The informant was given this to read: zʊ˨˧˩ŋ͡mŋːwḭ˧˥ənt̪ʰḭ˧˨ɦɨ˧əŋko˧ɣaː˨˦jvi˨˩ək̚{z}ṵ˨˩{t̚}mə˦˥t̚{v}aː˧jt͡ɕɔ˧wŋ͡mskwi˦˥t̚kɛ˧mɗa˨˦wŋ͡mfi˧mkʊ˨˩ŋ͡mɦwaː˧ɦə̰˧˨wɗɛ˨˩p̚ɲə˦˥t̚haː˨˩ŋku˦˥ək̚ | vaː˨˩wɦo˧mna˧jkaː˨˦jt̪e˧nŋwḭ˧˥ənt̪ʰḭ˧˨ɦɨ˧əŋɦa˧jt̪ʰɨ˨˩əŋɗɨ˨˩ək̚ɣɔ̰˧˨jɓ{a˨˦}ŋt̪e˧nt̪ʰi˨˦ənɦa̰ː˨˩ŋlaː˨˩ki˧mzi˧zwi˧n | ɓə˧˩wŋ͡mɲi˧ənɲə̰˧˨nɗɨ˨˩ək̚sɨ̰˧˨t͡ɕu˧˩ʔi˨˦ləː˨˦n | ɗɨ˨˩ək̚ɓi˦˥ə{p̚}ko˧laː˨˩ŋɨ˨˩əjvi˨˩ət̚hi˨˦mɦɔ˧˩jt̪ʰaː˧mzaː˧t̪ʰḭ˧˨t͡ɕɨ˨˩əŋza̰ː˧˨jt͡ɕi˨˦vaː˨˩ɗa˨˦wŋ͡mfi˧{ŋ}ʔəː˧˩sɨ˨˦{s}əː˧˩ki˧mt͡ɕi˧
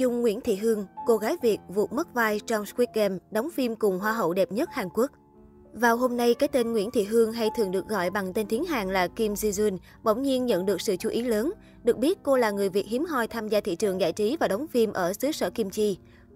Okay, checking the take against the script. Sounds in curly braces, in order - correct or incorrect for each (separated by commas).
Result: incorrect, correct, correct, incorrect, incorrect, incorrect, correct